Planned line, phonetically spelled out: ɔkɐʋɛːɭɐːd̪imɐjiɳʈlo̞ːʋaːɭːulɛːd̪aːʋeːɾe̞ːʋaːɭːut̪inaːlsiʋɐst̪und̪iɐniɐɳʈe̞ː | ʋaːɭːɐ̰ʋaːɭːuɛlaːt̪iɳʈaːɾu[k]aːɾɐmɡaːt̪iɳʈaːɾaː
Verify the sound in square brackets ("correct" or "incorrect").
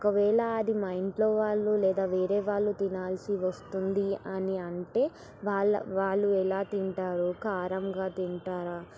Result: correct